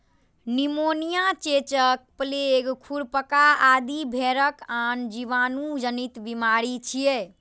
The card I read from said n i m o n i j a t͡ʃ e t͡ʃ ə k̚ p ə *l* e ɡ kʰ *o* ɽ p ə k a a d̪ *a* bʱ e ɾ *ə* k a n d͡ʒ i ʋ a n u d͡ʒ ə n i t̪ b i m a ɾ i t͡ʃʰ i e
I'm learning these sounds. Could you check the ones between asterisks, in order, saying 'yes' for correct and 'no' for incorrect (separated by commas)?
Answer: yes, no, no, yes